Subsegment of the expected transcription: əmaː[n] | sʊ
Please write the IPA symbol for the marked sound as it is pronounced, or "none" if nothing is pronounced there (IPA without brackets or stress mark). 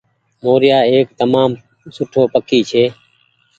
m